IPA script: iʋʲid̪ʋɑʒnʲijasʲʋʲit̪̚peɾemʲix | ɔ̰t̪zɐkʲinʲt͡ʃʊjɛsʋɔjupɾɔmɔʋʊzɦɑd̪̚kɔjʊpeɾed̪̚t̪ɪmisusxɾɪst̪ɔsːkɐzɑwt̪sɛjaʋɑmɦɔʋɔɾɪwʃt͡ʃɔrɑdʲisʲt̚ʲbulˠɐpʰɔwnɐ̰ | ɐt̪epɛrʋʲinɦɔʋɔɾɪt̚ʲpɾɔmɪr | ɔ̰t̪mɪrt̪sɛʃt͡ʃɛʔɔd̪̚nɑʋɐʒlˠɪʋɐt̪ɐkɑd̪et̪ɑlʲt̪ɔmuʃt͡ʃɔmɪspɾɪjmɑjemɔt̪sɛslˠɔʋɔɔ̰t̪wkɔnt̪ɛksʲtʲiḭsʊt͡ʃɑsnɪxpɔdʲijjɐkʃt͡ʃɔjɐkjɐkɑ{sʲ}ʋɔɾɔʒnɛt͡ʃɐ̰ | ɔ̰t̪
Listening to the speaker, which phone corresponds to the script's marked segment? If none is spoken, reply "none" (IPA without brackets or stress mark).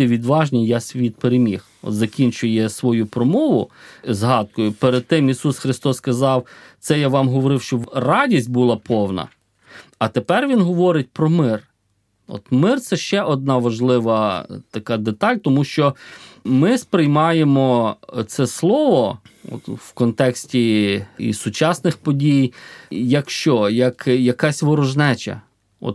sʲ